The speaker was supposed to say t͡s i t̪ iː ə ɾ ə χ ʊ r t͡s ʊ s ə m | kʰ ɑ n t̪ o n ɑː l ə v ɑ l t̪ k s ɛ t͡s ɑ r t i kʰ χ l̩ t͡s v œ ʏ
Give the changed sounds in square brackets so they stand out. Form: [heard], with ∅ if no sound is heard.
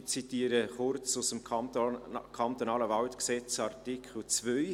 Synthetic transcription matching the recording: t͡s i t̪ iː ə ɾ ə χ ʊ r t͡s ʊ s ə m | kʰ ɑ n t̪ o n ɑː l ə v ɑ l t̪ k s ɛ t͡s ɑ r t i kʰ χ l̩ t͡s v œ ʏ